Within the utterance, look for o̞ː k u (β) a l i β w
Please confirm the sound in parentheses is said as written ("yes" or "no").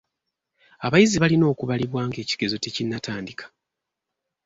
yes